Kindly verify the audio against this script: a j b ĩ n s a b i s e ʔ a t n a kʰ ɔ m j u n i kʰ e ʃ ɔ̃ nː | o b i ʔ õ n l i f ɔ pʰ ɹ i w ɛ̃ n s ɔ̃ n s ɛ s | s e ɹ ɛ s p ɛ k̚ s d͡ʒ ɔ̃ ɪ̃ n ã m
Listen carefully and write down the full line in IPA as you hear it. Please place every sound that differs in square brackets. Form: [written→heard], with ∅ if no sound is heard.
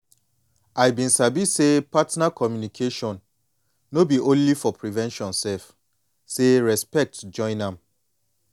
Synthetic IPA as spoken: a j b ĩ n s a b i s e [ʔ→p] a t n a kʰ ɔ m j u n i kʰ e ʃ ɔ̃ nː | o b i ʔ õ n l i f ɔ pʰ ɹ i [w→v] ɛ̃ n [s→ʃ] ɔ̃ n s ɛ [s→f] | s e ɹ ɛ s p ɛ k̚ [s→t] d͡ʒ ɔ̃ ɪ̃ n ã m